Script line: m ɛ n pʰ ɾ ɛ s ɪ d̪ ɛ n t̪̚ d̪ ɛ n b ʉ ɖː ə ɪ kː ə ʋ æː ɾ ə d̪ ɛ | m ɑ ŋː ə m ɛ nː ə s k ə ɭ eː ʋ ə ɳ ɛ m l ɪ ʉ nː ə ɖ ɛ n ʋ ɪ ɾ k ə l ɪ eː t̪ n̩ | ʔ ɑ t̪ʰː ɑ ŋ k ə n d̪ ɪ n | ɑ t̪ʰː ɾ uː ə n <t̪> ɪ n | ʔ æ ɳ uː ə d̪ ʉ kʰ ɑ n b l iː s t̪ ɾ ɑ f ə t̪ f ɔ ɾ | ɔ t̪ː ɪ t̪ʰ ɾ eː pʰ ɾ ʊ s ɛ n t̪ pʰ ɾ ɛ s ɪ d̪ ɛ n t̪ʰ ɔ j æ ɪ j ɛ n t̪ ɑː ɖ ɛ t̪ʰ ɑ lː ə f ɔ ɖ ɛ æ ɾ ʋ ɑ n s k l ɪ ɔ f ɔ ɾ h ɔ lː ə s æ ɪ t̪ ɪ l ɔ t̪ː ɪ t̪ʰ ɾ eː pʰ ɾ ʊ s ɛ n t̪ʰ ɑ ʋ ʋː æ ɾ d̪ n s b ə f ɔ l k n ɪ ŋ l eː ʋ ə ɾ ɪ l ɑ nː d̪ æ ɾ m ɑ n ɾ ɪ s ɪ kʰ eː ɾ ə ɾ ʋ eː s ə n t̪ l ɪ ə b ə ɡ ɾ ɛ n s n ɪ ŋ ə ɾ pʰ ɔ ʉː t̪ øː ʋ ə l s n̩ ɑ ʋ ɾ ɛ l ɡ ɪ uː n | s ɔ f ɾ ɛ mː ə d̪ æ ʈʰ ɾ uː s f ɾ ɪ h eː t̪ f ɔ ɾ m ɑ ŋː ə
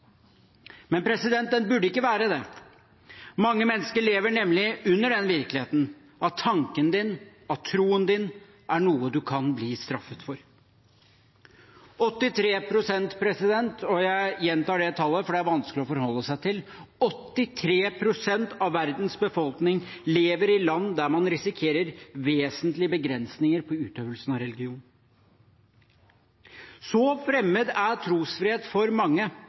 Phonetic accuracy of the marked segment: incorrect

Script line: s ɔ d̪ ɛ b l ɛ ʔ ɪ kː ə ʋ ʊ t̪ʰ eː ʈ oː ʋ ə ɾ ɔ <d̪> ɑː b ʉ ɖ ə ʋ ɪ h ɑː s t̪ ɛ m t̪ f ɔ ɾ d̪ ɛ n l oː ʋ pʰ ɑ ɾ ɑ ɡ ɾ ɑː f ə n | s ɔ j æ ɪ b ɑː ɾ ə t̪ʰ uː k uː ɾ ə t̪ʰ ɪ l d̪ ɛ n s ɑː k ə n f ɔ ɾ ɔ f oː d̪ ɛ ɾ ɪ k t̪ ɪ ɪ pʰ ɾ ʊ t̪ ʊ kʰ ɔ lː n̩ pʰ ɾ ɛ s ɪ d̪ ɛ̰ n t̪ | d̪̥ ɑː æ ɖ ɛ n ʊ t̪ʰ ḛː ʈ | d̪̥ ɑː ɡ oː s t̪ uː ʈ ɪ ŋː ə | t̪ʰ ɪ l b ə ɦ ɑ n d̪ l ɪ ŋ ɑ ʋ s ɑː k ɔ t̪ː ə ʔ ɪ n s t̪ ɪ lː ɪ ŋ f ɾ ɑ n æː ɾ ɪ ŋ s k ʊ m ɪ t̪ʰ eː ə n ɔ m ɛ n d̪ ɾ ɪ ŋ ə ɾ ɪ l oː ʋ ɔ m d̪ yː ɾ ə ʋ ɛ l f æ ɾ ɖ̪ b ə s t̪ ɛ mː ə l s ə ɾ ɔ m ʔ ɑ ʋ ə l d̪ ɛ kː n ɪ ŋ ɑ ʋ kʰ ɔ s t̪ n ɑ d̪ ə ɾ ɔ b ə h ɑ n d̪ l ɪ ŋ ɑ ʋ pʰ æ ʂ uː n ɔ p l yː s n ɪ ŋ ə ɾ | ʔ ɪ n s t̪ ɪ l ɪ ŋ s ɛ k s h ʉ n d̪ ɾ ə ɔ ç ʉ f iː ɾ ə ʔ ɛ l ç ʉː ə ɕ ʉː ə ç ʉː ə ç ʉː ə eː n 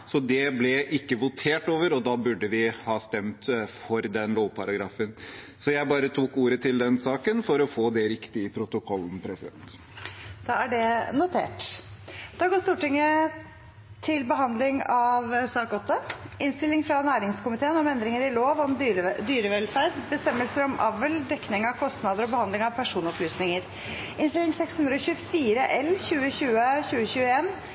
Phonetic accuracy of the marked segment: correct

